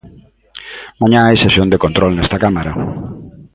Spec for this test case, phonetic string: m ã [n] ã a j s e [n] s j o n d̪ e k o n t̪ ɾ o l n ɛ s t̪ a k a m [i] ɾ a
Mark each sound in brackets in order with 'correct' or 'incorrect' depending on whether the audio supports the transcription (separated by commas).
incorrect, incorrect, incorrect